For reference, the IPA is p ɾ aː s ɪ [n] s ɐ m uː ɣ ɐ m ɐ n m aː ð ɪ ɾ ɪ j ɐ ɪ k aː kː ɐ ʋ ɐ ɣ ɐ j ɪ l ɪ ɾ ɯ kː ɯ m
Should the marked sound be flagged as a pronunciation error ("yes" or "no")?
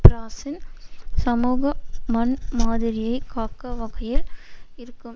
no